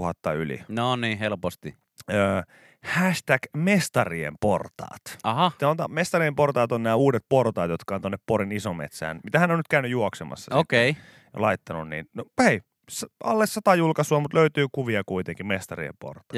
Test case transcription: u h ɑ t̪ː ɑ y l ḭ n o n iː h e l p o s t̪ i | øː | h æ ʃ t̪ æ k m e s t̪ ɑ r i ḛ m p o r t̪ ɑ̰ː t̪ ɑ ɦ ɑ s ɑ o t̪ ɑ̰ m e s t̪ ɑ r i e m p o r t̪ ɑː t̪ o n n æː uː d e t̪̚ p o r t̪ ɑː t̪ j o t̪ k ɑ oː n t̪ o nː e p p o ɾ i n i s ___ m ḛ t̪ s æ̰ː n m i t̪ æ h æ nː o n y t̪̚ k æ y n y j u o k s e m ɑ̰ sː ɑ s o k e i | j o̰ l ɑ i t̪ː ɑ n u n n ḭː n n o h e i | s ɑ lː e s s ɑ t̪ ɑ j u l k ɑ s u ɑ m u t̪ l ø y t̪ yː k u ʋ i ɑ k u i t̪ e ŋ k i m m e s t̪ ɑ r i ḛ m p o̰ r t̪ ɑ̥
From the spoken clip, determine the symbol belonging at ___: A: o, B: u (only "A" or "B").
A